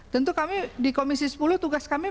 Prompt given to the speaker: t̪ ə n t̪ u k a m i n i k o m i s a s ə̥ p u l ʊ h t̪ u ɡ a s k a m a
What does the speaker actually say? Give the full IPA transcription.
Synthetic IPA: t̪ ə n t̪ u k a m i d i k o m i s i s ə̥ p u l ʊ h t̪ u ɡ a s k a m i